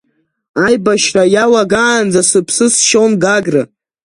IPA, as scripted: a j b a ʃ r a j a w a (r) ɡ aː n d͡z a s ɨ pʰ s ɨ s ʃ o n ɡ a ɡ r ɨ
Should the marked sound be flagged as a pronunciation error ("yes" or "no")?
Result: yes